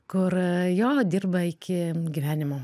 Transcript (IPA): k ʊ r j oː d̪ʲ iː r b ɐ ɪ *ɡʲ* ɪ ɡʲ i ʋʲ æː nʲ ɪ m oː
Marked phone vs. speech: incorrect: kʲ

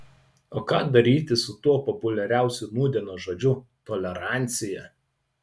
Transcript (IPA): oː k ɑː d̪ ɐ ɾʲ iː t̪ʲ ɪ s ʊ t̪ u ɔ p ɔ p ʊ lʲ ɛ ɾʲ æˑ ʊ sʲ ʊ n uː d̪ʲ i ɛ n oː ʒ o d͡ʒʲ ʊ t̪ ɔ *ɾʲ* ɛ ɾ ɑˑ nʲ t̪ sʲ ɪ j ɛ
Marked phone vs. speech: incorrect: lʲ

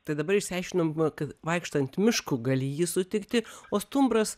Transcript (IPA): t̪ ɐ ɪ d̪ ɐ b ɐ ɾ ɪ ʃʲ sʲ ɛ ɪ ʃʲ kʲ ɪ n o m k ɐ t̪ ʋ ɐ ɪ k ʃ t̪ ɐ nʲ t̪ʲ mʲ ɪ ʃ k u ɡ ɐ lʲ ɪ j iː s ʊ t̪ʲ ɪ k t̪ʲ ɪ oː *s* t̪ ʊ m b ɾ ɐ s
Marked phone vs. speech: correct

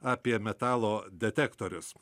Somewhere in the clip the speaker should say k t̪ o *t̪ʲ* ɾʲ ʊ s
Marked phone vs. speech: incorrect: none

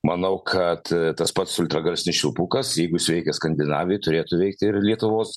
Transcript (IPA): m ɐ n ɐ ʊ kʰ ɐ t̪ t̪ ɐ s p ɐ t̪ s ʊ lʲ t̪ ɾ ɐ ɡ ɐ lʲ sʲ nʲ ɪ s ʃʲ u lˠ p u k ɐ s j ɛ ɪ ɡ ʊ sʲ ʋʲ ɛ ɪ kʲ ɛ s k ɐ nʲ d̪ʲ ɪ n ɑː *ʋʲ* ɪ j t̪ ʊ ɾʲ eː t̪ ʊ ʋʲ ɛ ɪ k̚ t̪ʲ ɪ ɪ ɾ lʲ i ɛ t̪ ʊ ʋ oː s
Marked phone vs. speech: correct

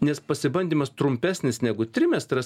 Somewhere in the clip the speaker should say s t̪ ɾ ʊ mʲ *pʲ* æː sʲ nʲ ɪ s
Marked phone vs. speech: correct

